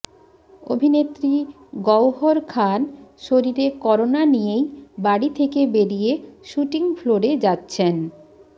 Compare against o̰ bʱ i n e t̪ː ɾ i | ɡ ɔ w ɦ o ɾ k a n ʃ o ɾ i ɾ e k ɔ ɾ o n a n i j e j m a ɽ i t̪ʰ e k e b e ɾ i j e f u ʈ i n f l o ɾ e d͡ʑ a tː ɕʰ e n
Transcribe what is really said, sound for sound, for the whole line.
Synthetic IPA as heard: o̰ bʱ i n e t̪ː ɾ i | ɡ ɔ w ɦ o ɾ kʰ a n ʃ o ɾ i ɾ e k ɔ ɾ o n a n i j e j b a ɽ i t̪ʰ e k e b e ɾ i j e ʃ u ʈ i ŋ f l o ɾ e d͡ʑ a tː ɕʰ e n

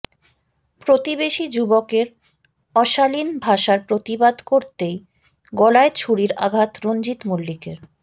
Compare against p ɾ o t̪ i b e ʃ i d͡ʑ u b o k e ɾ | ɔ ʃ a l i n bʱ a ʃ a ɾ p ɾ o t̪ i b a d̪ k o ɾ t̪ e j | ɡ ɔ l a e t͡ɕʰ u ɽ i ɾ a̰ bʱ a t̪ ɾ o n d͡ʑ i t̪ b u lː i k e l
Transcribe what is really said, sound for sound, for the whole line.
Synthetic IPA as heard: p ɾ o t̪ i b e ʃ i d͡ʑ u b o k e ɾ | ɔ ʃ a l i n bʱ a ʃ a ɾ p ɾ o t̪ i b a d̪ k o ɾ t̪ e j | ɡ ɔ l a e t͡ɕʰ u ɽ i ɾ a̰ ɡʱ a t̪ ɾ o n d͡ʑ i t̪ m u lː i k e ɾ

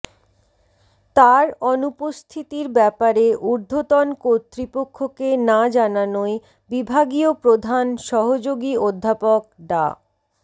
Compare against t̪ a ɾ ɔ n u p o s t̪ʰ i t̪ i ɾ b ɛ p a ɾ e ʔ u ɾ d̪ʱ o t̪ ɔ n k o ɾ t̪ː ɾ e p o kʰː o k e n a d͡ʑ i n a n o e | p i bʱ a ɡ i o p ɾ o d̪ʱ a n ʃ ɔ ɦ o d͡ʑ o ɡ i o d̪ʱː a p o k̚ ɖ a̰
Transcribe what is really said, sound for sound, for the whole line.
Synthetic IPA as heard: t̪ a ɾ ɔ n u p o s t̪ʰ i t̪ i ɾ b ɛ p a ɾ e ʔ u ɾ d̪ʱ o t̪ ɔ n k o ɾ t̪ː ɾ i p o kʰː o k e n a d͡ʑ a n a n o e | b i bʱ a ɡ i o p ɾ o d̪ʱ a n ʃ ɔ ɦ o d͡ʑ o ɡ i o d̪ʱː a p o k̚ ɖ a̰

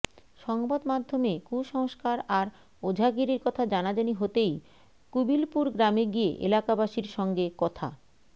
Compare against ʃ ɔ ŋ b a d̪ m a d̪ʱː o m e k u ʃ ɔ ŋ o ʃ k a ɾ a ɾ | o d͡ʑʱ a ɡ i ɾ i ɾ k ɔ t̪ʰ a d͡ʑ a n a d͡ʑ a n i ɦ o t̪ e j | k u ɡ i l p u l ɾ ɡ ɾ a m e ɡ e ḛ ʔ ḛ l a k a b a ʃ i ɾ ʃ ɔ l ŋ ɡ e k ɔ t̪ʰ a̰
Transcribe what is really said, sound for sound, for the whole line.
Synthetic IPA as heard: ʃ ɔ ŋ b a d̪ m a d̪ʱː o m e k u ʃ ɔ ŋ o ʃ k a ɾ a ɾ | o d͡ʑʱ a ɡ i ɾ i ɾ k ɔ t̪ʰ a d͡ʑ a n a d͡ʑ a n i ɦ o t̪ e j | k u b i l p u ɾ ɡ ɾ a m e ɡ i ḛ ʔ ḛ l a k a b a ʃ i ɾ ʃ ɔ ŋ ɡ e k ɔ t̪ʰ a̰

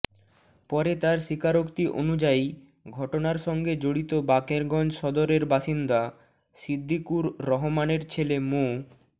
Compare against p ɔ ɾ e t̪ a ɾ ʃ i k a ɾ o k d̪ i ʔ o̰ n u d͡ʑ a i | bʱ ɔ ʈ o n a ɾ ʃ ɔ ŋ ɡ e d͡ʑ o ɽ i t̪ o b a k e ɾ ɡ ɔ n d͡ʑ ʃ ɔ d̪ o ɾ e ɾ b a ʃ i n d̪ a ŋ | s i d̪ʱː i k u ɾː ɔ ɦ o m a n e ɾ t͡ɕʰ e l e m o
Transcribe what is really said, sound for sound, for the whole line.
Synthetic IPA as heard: p ɔ ɾ e t̪ a ɾ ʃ i k a ɾ o k t̪ i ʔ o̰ n u d͡ʑ a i | ɡʱ ɔ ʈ o n a ɾ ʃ ɔ ŋ ɡ e d͡ʑ o ɽ i t̪ o b a k e ɾ ɡ ɔ n d͡ʑ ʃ ɔ d̪ o ɾ e ɾ b a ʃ i n d̪ a | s i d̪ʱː i k u ɾː ɔ ɦ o m a n e ɾ t͡ɕʰ e l e m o

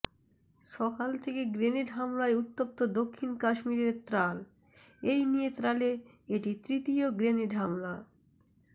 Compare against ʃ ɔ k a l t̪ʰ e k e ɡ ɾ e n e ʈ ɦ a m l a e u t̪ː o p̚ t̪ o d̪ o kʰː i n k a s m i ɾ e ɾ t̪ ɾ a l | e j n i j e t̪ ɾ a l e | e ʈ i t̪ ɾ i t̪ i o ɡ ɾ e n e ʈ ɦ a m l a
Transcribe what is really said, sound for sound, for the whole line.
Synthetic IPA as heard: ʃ ɔ k a l t̪ʰ e k e ɡ ɾ e n e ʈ ɦ a m l a e u t̪ː o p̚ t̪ o d̪ o kʰː i n k a ʃ m i ɾ e ɾ t̪ ɾ a l | e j n i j e t̪ ɾ a l e | e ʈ i t̪ ɾ i t̪ i o ɡ ɾ e n e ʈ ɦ a m l a

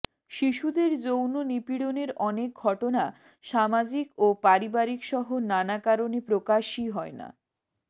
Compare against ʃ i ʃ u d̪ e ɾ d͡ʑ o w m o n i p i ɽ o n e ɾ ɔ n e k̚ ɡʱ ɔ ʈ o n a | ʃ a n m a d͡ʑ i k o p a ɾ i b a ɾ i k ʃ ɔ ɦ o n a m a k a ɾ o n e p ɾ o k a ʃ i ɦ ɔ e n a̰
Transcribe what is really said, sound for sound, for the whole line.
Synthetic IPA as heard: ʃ i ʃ u d̪ e ɾ d͡ʑ o w n o n i p i ɽ o n e ɾ ɔ n e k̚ ɡʱ ɔ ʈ o n a | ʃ a m a d͡ʑ i k o p a ɾ i b a ɾ i k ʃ ɔ ɦ o n a n a k a ɾ o n e p ɾ o k a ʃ i ɦ ɔ e n a̰

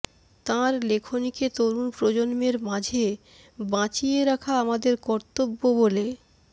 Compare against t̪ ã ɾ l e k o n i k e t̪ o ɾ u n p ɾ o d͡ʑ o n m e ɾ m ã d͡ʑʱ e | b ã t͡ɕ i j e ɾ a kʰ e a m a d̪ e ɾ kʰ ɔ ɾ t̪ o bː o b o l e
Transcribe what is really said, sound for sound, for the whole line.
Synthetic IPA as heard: t̪ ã ɾ l e kʰ o n i k e t̪ o ɾ u n p ɾ o d͡ʑ o n m e ɾ m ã d͡ʑʱ e | b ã t͡ɕ i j e ɾ a kʰ a a m a d̪ e ɾ k ɔ ɾ t̪ o bː o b o l e

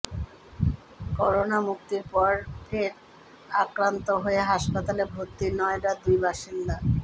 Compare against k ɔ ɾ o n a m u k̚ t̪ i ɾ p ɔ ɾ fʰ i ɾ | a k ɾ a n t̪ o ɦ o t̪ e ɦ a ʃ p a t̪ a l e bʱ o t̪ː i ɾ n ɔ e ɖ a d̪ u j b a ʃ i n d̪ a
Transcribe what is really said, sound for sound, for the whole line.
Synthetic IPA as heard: k ɔ ɾ o n a m u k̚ t̪ i ɾ p ɔ ɾ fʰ e ɾ | a k ɾ a n t̪ o ɦ o e ɦ a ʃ p a t̪ a l e bʱ o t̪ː i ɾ n ɔ e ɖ a d̪ u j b a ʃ i n d̪ a

